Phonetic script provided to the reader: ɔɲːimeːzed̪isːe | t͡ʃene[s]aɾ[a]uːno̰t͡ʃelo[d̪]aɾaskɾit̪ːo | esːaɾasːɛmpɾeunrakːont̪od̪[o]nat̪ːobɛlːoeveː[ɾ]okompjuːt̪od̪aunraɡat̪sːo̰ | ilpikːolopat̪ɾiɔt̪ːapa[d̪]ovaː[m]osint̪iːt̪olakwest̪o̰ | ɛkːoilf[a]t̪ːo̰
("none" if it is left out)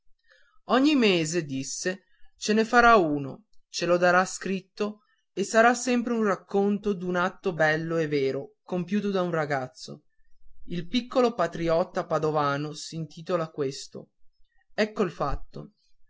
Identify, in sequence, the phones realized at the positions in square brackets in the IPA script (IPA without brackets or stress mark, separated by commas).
f, a, d̪, u, ɾ, d̪, n, a